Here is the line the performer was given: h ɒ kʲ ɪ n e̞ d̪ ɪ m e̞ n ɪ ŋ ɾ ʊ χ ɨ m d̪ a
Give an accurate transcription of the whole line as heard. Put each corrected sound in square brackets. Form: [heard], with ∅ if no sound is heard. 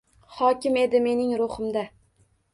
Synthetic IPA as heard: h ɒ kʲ ɪ [m] e̞ d̪ ɪ m e̞ n ɪ ŋ ɾ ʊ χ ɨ m d̪ a